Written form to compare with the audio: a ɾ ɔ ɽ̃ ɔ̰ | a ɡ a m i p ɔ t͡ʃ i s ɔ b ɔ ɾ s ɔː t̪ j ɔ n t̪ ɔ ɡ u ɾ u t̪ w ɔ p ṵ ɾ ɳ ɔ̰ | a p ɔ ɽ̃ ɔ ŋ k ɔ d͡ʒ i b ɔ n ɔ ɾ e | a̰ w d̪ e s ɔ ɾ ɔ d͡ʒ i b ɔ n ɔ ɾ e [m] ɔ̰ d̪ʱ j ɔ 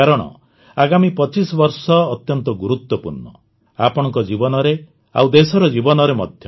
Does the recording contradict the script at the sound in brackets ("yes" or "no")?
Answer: no